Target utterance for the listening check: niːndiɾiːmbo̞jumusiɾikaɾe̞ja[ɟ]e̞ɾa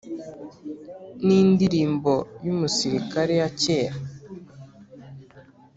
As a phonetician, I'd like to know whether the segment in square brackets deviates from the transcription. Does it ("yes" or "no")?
yes